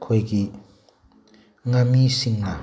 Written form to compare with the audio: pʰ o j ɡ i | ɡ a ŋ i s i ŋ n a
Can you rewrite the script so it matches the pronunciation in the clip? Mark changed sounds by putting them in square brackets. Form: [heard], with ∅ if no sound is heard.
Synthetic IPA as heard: [kʰ] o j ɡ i | [ŋ] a [m] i s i ŋ n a